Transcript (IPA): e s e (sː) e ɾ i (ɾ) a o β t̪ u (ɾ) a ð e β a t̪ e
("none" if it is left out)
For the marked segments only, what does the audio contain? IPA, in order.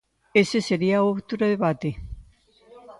s, none, ɾ

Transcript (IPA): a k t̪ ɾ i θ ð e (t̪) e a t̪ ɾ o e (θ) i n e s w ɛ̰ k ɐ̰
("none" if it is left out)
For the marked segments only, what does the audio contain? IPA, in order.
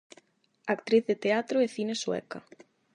t̪, θ

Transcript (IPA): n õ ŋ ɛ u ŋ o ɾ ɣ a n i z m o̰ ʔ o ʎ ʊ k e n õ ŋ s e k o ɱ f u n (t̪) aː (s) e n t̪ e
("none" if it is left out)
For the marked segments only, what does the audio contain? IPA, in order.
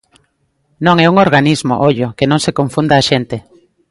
d̪, ʃ

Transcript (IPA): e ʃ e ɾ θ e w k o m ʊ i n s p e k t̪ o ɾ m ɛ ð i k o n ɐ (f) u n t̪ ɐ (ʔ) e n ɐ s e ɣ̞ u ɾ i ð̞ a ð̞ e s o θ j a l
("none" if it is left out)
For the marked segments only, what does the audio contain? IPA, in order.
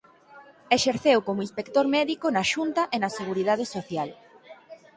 ʃ, ʔ

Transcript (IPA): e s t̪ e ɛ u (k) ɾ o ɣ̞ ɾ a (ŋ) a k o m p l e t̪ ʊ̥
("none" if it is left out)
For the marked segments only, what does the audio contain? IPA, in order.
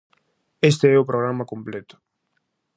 p, m

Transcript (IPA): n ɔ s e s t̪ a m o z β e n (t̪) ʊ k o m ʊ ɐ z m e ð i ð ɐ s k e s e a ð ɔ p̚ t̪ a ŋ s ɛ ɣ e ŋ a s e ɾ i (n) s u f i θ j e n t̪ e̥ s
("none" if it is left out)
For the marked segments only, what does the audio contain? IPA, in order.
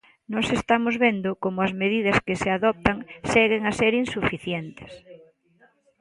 d̪, n

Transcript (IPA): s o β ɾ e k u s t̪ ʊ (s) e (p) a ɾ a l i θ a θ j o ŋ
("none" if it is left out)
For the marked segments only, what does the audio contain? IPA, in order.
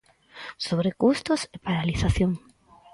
s, p

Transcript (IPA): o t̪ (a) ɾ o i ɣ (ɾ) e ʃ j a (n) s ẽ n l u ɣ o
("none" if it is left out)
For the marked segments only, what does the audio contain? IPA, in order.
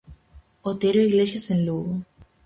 e, l, none

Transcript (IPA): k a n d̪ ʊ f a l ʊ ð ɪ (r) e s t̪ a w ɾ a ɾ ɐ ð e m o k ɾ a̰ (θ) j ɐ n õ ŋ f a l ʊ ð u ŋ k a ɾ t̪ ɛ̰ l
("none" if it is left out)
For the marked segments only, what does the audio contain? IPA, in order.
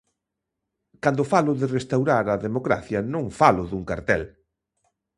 r, θ

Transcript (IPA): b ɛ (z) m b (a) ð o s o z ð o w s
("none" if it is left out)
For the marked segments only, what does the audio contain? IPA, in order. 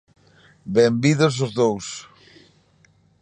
none, i

